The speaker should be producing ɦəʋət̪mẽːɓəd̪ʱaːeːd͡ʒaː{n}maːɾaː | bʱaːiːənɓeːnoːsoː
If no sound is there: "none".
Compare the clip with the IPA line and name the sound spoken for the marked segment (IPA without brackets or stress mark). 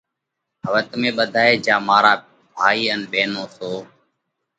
none